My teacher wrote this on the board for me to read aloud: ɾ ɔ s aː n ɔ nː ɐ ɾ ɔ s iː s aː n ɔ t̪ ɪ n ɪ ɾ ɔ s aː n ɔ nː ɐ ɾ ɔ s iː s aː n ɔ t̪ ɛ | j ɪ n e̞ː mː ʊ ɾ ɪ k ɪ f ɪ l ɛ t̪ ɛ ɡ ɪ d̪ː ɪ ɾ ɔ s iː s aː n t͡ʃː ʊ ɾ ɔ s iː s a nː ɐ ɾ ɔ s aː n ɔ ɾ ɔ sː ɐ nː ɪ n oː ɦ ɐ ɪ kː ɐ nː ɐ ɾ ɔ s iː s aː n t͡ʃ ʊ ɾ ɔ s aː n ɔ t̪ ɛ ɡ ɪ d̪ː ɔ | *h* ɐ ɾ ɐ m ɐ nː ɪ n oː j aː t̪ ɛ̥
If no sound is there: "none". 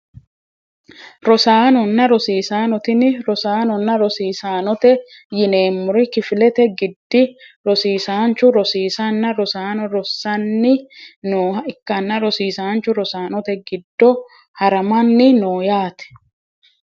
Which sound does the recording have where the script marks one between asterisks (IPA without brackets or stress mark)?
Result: h